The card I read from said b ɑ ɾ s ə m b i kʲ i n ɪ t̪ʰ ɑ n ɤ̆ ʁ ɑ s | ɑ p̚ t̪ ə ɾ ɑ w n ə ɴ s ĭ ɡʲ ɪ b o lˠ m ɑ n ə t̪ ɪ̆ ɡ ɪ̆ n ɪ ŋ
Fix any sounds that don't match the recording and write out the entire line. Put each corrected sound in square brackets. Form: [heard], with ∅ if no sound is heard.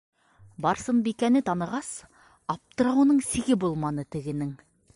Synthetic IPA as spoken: b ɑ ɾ s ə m b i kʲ [æ] n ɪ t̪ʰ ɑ n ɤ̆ ʁ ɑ s | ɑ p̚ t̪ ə ɾ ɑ w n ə ɴ s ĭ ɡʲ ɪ b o lˠ m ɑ n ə t̪ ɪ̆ ɡ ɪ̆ n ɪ ŋ